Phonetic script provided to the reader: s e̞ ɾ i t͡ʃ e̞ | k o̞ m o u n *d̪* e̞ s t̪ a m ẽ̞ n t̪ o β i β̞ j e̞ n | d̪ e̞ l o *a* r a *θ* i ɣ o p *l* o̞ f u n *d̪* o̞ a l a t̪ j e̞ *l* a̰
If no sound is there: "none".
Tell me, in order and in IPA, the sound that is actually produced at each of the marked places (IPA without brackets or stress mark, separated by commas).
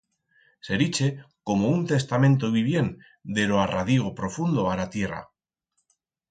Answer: t̪, a, ð, ɾ, d̪, r